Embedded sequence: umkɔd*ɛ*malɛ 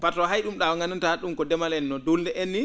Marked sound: correct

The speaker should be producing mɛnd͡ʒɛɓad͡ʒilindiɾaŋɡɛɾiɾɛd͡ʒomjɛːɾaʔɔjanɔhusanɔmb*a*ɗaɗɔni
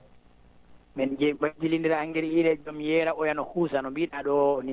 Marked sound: incorrect: i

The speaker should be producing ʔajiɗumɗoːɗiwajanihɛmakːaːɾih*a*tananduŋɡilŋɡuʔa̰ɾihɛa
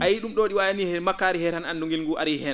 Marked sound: incorrect: ɛ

